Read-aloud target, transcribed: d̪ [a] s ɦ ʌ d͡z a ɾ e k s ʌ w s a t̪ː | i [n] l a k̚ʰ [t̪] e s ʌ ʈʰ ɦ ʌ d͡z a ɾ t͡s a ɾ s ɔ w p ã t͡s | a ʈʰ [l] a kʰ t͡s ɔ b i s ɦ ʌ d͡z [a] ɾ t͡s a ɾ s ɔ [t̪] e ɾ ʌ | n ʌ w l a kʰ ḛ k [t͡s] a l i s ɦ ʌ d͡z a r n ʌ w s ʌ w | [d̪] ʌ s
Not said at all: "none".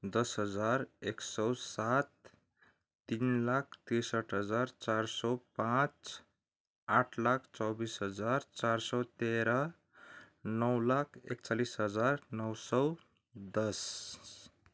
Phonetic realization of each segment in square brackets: ʌ, n, t̪, l, a, t̪, t͡s, d̪

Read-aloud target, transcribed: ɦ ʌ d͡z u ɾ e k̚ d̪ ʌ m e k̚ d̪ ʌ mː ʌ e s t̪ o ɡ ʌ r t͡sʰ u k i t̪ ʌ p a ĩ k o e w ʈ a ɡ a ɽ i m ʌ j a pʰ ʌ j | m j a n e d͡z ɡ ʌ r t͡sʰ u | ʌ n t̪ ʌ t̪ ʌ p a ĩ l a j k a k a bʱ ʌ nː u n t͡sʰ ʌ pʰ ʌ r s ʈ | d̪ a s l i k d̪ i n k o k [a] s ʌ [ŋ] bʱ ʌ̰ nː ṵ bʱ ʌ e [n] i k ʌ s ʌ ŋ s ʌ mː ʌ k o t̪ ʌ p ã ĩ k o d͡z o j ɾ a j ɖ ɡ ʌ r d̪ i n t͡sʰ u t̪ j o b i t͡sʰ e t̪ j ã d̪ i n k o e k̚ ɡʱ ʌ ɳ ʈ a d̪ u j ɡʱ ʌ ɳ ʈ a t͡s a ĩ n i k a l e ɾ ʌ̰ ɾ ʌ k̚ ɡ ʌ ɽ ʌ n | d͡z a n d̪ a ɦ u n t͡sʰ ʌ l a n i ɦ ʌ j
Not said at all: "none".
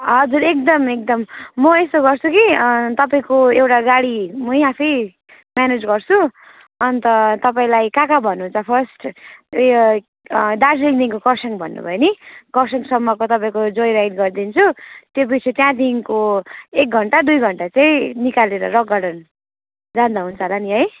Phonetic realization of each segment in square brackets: ʌ, ŋ, n

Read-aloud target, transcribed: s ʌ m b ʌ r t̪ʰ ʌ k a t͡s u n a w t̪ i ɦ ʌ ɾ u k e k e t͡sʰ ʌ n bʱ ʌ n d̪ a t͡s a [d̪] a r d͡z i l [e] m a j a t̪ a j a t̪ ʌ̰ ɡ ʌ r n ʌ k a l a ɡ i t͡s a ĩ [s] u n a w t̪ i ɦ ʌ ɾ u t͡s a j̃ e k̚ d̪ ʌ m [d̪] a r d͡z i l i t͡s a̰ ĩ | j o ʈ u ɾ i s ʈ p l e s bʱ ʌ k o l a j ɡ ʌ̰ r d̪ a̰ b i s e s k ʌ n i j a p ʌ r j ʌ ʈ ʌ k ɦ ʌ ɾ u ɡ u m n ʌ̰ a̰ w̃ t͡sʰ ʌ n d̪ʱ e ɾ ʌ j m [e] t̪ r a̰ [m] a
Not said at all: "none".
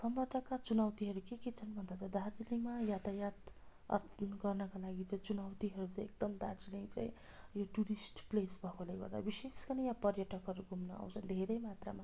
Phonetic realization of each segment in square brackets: d̪, i, t͡s, d̪, a, m

